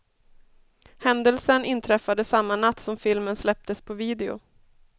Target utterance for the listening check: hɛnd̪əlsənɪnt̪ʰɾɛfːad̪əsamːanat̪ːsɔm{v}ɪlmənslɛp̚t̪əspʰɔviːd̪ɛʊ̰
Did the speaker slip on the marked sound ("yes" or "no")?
yes